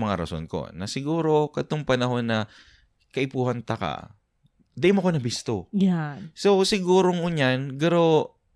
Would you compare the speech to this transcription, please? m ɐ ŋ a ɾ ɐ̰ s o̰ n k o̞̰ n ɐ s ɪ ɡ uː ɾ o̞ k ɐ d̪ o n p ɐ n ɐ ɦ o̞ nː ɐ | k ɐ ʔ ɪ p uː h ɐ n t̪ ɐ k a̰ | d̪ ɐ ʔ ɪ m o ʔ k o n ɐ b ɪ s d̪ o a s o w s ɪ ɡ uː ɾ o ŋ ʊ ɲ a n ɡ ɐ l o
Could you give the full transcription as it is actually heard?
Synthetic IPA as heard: m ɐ ŋ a ɾ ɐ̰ s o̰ n k o̞̰ n ɐ s ɪ ɡ uː ɾ o̞ k ɐ t̪ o ŋ p ɐ n ɐ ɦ o̞ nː ɐ | k ɐ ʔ ɪ p uː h ɐ n t̪ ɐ k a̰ | d̪ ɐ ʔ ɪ m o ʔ k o n ɐ b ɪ s t̪ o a s o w s ɪ ɡ uː ɾ o ŋ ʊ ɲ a n ɡ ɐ ɾ o